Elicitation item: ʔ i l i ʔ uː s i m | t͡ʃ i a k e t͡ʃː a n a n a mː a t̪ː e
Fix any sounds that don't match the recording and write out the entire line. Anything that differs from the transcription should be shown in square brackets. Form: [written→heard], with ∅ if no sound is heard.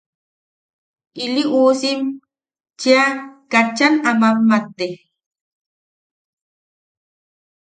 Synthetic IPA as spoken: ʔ i l i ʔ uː s i m | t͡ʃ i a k [e→a] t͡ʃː a n a [n→m] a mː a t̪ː e